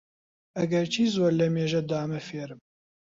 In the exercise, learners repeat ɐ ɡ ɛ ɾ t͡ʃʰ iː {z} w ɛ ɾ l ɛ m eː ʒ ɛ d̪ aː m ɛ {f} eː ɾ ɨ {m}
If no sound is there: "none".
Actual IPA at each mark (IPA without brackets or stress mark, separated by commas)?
z, f, m